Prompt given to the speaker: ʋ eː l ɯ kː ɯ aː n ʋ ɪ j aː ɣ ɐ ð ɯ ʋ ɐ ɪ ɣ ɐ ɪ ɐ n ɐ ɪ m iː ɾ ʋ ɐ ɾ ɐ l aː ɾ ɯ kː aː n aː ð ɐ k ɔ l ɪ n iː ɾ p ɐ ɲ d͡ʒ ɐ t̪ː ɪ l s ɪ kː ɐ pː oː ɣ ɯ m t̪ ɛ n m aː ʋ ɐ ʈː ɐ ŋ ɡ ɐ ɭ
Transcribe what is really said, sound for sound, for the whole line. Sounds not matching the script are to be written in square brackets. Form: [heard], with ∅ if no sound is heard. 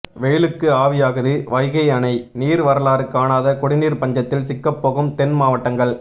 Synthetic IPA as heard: ʋ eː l ɯ kː ɯ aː [∅] ʋ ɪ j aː ɣ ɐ ð ɯ ʋ ɐ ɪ ɣ ɐ ɪ ɐ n ɐ ɪ [n] iː ɾ ʋ ɐ ɾ ɐ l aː ɾ ɯ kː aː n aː ð ɐ k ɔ [ɽ] ɪ n iː ɾ p ɐ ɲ d͡ʒ ɐ t̪ː ɪ l s ɪ kː ɐ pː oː ɣ ɯ m t̪ ɛ n m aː ʋ ɐ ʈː ɐ ŋ ɡ ɐ ɭ